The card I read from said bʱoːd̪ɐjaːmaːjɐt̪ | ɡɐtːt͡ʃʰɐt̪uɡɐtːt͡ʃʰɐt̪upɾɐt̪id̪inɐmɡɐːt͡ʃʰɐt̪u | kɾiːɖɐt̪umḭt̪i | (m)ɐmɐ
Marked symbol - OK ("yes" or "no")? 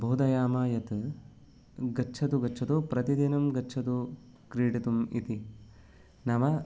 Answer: no